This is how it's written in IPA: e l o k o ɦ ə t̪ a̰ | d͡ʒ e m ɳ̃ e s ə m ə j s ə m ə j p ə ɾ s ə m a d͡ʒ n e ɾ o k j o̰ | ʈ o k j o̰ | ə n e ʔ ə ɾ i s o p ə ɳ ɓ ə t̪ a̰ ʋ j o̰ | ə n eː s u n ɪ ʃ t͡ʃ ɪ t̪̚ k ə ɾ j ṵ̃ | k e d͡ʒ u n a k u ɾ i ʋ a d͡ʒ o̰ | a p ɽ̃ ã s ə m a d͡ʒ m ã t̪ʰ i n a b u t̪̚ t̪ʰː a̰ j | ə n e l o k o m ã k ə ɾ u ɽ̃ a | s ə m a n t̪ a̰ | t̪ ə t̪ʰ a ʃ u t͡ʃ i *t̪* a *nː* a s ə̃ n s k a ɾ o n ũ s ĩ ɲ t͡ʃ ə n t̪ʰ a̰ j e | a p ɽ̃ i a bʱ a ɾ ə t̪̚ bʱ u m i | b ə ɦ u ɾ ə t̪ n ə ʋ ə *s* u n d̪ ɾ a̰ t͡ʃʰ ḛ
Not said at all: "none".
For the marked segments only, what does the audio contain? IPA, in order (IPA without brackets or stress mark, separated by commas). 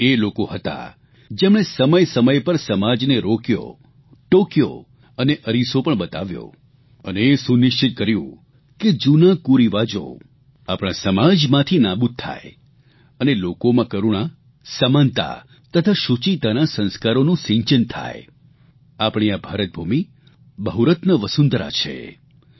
t̪, n, s